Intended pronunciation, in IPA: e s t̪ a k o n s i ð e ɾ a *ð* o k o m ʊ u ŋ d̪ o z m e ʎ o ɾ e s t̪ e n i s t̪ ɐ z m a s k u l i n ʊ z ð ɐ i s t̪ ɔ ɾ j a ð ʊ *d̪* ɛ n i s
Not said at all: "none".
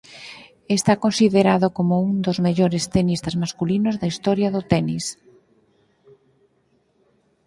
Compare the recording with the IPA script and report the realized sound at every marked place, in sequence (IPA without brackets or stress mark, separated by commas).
ð, t̪